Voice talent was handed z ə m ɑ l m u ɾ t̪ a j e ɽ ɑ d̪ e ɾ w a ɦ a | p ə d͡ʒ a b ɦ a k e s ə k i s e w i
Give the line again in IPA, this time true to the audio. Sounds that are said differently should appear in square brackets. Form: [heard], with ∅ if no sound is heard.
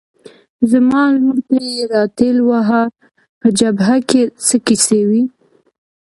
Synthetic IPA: z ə m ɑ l m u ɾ t̪ a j e [ɾ] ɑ [t̪] e [l] w a ɦ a | p ə d͡ʒ a b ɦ a k e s ə k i s e w i